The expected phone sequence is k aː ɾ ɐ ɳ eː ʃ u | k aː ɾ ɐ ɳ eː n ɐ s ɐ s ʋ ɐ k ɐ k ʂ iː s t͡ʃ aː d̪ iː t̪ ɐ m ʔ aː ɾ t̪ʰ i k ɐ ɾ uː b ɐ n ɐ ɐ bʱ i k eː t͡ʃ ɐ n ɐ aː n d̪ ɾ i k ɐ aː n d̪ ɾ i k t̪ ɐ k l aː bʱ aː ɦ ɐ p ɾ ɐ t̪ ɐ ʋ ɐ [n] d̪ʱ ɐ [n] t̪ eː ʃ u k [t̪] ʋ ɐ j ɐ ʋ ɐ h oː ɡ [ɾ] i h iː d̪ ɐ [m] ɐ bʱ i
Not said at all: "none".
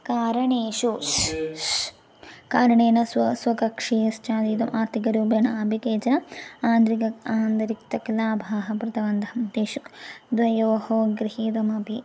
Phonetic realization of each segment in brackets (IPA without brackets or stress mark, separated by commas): n, m, d̪, ɾ, m